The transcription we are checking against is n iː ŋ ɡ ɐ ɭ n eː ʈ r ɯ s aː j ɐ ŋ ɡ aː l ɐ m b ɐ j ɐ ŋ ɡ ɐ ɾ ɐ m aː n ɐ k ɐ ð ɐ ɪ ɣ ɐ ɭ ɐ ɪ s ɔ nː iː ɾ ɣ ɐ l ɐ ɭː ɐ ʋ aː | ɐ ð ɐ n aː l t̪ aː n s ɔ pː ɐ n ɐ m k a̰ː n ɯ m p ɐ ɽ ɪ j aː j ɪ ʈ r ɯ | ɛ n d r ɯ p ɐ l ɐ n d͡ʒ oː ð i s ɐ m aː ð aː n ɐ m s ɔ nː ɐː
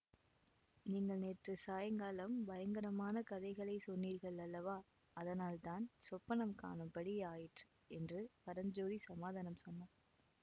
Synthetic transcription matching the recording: n iː ŋ ɡ ɐ ɭ n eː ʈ r ɯ s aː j ɐ ŋ ɡ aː l ɐ m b ɐ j ɐ ŋ ɡ ɐ ɾ ɐ m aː n ɐ k ɐ ð ɐ ɪ ɣ ɐ ɭ ɐ ɪ s ɔ nː iː ɾ ɣ ɐ ɭ ɐ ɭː ɐ ʋ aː | ɐ ð ɐ n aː l t̪ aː n s ɔ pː ɐ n ɐ m k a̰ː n ɯ m p ɐ ɽ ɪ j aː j ɪ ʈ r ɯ | ɛ n d r ɯ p ɐ ɾ ɐ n d͡ʒ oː ð i s ɐ m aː ð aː n ɐ m s ɔ nː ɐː